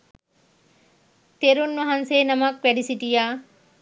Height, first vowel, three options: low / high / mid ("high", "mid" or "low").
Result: mid